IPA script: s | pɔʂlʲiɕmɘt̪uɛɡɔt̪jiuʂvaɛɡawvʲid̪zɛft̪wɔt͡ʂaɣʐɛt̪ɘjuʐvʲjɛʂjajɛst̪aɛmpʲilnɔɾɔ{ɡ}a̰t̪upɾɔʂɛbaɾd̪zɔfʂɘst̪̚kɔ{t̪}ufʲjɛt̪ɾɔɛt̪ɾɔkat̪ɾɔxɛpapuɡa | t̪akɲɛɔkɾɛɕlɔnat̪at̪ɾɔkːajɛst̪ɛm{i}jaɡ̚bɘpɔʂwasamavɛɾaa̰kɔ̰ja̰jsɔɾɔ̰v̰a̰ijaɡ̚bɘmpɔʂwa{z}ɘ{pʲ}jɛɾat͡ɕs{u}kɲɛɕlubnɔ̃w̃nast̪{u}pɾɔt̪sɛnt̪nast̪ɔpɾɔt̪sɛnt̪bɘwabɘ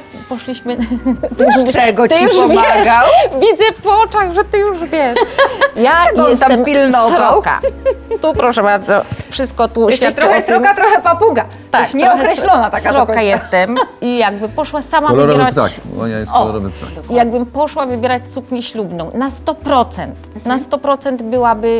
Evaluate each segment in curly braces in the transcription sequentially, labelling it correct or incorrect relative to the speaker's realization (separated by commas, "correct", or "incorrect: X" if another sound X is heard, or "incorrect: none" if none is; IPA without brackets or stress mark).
incorrect: k, correct, correct, incorrect: v, incorrect: bʲ, correct, incorrect: ɔ